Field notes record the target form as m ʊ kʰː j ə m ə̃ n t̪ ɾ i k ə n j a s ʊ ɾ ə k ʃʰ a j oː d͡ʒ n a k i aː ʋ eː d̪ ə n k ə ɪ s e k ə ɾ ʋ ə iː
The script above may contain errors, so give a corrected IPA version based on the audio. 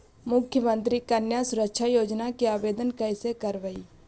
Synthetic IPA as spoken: m ʊ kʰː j ə m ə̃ n t̪ ɾ i k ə n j a s ʊ ɾ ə k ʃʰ a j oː d͡ʒ n a k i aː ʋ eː d̪ ə n k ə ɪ s e k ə ɾ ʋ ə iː